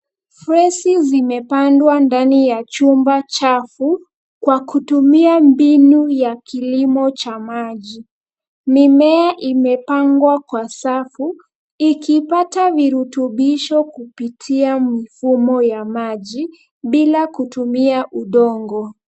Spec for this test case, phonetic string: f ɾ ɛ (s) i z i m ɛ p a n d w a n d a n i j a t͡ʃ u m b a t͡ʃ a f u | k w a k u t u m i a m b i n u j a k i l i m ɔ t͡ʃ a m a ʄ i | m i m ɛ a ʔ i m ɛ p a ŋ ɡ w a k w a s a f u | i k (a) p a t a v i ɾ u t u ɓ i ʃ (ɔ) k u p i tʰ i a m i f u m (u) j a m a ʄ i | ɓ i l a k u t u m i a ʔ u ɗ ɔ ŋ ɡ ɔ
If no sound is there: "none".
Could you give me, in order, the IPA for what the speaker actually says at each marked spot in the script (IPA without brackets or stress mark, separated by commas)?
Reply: s, i, ɔ, ɔ